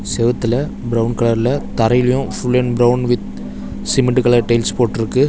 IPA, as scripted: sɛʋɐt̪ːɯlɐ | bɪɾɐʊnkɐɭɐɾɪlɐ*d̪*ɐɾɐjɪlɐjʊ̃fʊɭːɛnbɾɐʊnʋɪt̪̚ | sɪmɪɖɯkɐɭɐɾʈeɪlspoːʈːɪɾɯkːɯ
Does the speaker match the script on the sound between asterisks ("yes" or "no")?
no